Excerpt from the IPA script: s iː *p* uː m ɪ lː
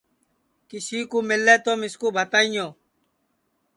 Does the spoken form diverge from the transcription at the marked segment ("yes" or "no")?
yes